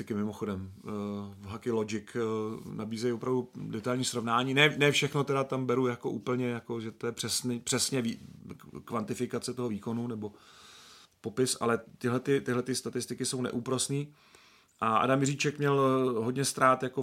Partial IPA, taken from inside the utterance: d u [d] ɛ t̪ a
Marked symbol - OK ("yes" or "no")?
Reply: yes